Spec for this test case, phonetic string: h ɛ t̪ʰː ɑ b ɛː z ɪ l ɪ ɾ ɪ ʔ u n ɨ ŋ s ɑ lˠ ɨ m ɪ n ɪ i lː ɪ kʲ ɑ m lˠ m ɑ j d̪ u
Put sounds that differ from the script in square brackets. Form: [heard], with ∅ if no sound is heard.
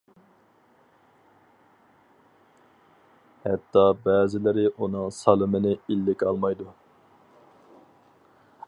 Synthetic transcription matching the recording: h ɛ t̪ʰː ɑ b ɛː z ɪ l ɪ ɾ ɪ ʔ u n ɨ ŋ s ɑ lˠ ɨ m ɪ n ɪ i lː ɪ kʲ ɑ [∅] lˠ m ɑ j d̪ u